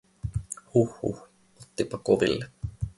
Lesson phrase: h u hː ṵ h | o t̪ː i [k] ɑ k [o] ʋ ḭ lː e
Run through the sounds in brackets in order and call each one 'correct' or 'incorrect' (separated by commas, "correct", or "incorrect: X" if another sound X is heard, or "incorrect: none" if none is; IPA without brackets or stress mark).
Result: incorrect: p, correct